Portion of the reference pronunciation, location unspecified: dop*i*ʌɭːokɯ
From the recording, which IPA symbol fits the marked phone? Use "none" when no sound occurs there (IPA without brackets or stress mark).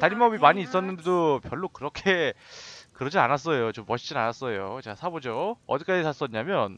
j